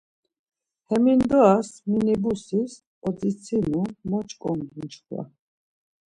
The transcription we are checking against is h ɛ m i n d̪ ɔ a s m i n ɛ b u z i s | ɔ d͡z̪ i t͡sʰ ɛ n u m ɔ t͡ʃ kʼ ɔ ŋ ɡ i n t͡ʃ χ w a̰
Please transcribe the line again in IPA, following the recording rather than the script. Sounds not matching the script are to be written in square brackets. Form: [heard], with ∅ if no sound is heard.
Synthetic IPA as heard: h ɛ m i n d̪ ɔ a s m i n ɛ b u [s] i s | ɔ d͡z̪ i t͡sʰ [i] n u m ɔ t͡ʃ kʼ ɔ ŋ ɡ i n t͡ʃ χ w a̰